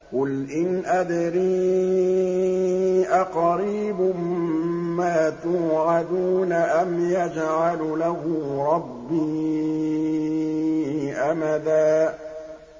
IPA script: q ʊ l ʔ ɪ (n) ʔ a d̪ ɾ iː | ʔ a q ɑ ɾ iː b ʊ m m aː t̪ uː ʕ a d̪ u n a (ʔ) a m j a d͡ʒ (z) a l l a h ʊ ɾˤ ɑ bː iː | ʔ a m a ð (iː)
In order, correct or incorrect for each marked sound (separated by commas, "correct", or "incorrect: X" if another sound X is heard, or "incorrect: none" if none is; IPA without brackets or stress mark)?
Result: correct, correct, incorrect: ʕ, incorrect: aː